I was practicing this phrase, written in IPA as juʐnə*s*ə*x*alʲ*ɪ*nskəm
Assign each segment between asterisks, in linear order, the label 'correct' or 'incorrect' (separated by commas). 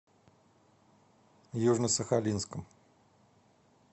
correct, correct, incorrect